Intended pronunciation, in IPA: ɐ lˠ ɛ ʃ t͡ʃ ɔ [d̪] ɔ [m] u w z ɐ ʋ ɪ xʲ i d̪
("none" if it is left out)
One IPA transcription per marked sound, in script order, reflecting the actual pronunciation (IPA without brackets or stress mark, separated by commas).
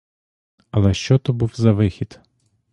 t̪, b